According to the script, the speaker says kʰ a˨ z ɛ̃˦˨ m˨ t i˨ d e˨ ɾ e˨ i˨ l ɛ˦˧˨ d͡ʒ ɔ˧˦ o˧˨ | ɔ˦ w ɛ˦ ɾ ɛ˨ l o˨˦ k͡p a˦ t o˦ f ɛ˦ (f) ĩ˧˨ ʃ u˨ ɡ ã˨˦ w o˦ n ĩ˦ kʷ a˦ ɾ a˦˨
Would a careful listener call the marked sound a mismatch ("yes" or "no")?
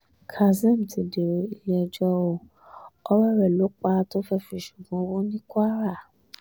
no